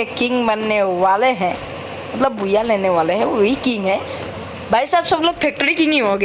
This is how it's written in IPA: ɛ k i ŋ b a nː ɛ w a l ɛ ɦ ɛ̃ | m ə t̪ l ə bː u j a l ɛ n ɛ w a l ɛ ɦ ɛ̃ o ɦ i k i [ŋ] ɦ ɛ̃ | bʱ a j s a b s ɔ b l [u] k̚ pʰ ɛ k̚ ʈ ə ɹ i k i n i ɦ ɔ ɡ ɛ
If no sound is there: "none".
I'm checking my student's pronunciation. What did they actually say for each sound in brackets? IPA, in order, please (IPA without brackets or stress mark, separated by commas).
ŋ, o